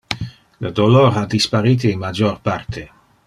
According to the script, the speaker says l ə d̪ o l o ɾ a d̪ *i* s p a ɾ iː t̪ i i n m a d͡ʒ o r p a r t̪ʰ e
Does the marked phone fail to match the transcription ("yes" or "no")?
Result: no